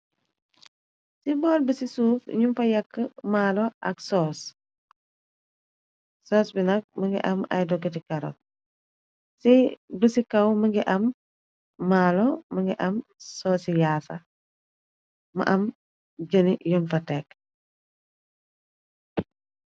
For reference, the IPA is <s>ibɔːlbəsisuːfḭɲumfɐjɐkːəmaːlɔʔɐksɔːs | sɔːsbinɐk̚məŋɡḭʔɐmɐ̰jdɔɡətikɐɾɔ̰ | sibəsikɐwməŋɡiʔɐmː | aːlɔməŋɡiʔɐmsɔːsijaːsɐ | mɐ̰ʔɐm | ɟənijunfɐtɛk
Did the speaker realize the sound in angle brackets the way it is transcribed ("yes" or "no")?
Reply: yes